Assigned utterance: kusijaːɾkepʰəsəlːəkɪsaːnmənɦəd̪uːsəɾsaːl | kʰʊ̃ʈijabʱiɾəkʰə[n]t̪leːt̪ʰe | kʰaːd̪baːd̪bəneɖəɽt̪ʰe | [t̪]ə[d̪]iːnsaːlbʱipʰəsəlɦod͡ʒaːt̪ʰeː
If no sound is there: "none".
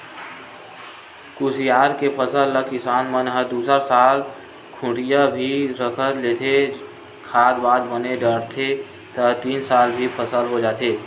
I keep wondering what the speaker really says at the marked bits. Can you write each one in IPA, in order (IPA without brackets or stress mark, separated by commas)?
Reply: none, t̪, t̪